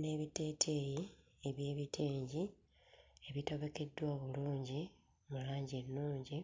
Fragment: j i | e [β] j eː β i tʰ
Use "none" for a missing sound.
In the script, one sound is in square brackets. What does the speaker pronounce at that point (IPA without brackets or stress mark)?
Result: β